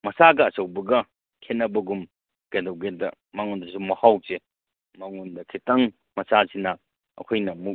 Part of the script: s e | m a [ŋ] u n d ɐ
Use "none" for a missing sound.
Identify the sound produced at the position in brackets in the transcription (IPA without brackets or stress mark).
ŋ